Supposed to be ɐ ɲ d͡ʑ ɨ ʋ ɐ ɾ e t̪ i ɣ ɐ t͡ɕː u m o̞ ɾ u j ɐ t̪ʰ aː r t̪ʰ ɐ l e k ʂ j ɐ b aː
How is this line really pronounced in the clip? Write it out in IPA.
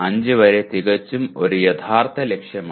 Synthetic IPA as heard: ɐ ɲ d͡ʑ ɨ ʋ ɐ ɾ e t̪ i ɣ ɐ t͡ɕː u m o̞ ɾ u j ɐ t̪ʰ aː r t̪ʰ ɐ l e k ʂ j ɐ m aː

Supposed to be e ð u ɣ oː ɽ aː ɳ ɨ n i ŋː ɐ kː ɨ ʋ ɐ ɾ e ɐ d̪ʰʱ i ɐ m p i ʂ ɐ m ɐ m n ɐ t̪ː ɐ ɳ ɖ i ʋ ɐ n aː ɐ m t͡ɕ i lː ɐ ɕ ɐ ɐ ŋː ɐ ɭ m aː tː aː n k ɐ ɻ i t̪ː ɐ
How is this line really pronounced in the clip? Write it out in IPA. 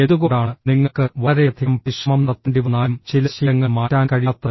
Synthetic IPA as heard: e ð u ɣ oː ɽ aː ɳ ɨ n i ŋː ɐ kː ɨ ʋ ɐ ɾ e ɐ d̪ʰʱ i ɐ m p i ʂ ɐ m ɐ m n ɐ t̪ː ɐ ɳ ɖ i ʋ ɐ n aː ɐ m t͡ɕ i l ɐ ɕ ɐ ɐ ŋː ɐ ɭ m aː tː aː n k ɐ ɻ i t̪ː ɐ

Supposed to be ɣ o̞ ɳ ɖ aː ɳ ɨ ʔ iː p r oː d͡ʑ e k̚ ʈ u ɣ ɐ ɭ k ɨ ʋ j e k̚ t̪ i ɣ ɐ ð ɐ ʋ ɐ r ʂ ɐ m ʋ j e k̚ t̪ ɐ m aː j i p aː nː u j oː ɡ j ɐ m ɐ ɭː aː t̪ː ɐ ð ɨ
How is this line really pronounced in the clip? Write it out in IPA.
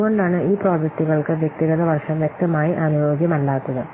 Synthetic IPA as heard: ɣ o̞ ɳ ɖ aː ɳ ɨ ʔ iː p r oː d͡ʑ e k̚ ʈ u ɣ ɐ ɭ k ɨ ʋ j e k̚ t̪ i ɣ ɐ ð ɐ ʋ ɐ r ʂ ɐ m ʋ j e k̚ t̪ ɐ m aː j i ʔ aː n u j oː ɡ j ɐ m ɐ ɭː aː t̪ː ɐ ð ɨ

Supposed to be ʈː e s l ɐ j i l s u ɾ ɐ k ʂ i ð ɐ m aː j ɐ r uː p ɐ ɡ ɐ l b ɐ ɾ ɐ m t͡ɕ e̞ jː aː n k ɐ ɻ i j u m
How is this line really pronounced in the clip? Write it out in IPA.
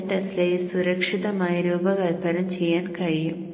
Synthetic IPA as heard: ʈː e s l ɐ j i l s u ɾ ɐ k ʂ i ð ɐ m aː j ɐ ɾ uː b ɐ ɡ ɐ l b ɐ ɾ ɐ m t͡ɕ e̞ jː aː n k ɐ ɻ i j u m

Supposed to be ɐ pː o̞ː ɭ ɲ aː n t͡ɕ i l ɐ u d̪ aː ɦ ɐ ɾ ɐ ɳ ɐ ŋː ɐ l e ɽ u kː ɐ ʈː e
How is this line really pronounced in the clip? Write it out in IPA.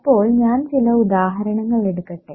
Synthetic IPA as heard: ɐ pː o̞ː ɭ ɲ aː n t͡ɕ i l ɐ u d̪ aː ɦ ɐ ɾ ɐ ɳ ɐ ŋː ɐ ɭ e ɽ u kː ɐ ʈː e

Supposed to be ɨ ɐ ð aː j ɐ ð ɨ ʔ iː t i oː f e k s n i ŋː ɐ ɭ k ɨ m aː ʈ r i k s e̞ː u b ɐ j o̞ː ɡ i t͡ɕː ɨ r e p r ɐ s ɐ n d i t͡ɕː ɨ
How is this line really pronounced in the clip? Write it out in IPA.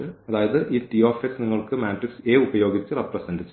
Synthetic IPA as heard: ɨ ɐ ð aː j ɐ ð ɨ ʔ iː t i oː f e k s n i ŋː ɐ ɭ k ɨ m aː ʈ r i k s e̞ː u b ɐ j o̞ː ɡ i t͡ɕː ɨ r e p r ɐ s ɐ n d i t͡ɕː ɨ

